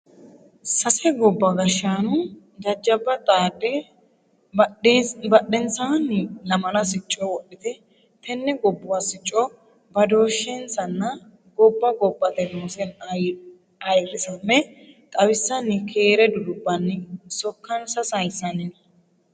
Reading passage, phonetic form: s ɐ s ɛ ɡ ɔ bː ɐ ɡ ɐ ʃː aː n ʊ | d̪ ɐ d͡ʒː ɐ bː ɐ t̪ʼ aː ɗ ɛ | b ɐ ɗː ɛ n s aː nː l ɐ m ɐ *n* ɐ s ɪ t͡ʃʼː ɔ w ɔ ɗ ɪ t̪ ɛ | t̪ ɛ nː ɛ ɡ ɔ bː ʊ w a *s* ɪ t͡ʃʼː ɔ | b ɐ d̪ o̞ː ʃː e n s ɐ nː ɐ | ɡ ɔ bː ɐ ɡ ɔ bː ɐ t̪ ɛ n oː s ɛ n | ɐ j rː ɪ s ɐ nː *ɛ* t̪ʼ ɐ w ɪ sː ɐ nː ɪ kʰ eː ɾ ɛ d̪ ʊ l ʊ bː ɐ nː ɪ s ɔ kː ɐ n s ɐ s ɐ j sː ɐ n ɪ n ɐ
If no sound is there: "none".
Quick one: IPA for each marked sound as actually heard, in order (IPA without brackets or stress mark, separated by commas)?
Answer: n, s, ɛ